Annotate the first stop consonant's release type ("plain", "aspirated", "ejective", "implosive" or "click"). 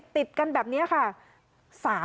plain